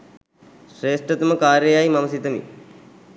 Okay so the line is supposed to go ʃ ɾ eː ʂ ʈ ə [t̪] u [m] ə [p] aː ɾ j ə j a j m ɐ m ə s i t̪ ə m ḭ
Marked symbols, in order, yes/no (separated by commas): yes, yes, no